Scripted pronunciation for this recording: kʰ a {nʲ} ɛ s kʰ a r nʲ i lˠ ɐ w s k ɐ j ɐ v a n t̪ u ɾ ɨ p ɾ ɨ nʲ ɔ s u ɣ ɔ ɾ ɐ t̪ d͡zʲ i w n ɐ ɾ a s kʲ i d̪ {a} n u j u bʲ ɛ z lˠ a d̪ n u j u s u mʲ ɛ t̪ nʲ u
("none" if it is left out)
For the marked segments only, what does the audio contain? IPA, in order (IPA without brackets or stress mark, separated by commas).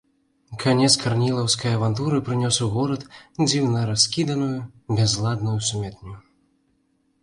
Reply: nʲ, ɐ